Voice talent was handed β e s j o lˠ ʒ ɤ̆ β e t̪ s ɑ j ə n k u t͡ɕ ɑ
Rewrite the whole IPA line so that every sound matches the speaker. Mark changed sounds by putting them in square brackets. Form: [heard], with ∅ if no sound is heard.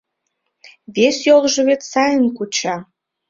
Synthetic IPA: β e s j o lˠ ʒ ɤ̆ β e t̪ s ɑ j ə n k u t͡ɕ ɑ